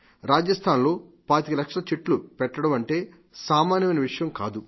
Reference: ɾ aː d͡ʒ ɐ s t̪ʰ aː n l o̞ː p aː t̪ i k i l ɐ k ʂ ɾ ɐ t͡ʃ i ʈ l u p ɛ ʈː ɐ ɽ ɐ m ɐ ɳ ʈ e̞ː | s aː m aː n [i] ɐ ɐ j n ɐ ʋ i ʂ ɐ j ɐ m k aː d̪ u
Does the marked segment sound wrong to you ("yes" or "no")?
yes